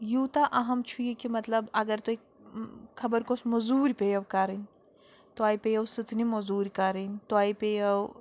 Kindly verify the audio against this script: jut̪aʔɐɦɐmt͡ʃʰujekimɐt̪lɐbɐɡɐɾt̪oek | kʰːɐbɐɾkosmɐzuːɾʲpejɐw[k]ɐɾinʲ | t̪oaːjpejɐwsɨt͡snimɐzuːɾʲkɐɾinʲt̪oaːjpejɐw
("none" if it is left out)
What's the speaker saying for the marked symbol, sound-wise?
k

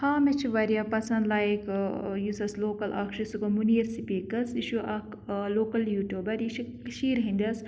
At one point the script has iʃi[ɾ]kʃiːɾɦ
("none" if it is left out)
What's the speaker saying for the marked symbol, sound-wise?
none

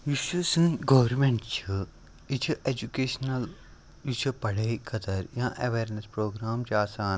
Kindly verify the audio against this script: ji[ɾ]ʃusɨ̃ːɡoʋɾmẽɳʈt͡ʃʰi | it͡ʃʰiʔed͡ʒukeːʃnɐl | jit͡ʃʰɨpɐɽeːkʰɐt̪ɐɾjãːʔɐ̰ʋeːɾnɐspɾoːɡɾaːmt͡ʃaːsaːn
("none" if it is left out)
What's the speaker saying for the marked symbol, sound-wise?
none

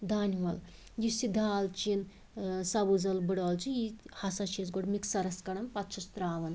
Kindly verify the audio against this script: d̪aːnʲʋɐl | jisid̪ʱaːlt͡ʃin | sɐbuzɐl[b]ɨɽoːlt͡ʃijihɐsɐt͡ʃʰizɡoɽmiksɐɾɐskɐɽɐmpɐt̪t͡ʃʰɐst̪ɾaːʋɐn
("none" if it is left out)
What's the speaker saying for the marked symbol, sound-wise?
b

